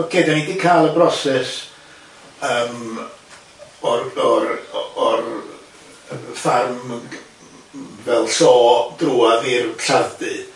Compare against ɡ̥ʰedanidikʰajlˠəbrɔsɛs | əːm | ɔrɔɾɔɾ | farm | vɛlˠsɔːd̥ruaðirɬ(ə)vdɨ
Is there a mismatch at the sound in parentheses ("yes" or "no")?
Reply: yes